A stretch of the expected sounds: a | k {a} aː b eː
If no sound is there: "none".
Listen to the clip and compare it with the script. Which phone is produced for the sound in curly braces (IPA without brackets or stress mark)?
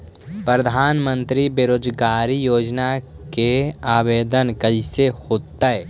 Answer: e